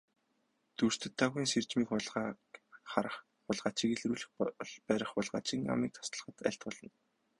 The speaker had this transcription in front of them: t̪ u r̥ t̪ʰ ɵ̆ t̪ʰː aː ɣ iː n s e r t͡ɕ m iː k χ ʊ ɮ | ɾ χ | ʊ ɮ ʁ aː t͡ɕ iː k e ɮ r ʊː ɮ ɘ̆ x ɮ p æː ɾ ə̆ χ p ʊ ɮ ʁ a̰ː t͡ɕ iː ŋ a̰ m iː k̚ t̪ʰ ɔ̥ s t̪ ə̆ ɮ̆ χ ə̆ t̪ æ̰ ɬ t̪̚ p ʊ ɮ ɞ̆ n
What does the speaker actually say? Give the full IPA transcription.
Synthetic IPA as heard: t̪ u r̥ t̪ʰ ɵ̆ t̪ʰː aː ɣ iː n s e r t͡ɕ m iː k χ ʊ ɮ | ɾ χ | ʊ ɮ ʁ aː t͡ɕ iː k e ɮ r uː ɮ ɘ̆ x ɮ p æː ɾ ə̆ χ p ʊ ɮ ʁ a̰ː t͡ɕ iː ŋ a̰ m iː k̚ t̪ʰ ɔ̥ s t̪ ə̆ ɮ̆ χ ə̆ t̪ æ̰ ɬ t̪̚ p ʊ ɮ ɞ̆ n